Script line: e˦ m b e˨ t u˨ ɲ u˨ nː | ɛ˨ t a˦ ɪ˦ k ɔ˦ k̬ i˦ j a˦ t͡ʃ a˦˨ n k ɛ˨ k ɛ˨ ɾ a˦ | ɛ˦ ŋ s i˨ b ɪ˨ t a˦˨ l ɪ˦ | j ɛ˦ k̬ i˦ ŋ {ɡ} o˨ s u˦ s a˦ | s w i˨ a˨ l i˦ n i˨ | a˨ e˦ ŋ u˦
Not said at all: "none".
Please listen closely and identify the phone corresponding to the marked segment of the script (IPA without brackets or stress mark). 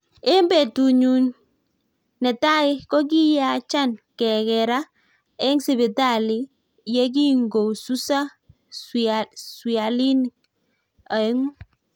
ɡ